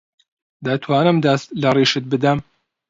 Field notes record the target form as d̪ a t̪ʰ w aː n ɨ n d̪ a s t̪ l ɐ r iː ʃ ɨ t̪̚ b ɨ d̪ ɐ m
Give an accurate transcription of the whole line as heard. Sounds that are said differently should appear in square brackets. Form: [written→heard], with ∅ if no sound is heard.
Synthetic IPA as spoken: d̪ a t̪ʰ w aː n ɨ [n→m] d̪ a s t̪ l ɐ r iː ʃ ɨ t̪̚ b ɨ d̪ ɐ m